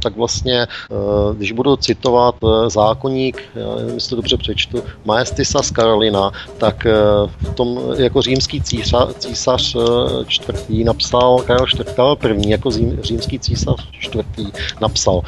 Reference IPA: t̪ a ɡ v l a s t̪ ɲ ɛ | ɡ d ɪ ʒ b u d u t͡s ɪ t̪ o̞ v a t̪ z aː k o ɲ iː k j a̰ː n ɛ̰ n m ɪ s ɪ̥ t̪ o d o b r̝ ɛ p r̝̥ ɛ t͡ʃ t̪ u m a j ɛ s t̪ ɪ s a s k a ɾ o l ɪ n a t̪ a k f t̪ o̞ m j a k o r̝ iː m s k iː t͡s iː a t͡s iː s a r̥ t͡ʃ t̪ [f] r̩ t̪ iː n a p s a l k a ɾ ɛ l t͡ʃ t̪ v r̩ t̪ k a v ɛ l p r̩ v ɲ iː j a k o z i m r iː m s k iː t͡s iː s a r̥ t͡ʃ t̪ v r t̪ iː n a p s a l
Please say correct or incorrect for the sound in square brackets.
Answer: incorrect